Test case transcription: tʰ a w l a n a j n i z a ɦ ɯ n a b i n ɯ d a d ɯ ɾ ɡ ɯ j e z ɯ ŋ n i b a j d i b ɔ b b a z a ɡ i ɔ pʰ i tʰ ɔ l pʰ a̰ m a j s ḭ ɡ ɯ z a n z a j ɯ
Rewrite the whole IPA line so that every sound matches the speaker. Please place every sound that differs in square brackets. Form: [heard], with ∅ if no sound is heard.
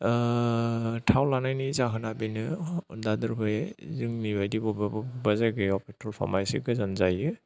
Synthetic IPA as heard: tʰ a w l a n a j n i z a ɦ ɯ n a b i n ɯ d a d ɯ ɾ [b] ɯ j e z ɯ ŋ n i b a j d i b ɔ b b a z a ɡ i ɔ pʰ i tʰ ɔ l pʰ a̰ m a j s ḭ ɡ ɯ z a n z a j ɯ